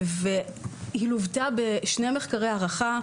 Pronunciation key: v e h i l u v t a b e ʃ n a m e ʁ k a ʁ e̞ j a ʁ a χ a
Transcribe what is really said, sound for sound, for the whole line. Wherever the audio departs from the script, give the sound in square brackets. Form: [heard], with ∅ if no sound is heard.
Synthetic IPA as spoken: v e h i l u v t a b e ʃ n [e] m e [χ] k a ʁ e̞ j a ʁ a χ a